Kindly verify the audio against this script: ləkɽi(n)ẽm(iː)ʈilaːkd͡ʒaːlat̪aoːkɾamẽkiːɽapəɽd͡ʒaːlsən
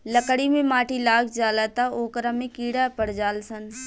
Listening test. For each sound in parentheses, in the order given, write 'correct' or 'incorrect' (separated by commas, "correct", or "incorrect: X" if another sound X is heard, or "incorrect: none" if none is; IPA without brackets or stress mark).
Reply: incorrect: m, incorrect: aː